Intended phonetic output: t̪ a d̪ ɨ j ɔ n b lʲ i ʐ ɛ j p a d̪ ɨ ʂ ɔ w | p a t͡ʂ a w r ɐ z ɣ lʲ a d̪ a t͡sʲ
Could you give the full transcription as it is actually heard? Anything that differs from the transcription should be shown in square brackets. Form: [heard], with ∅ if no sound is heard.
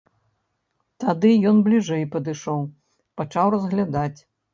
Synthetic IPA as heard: t̪ a d̪ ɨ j ɔ n b lʲ i ʐ ɛ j p [ɐ] d̪ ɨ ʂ ɔ w | p a t͡ʂ a w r ɐ z ɣ lʲ a d̪ a t͡sʲ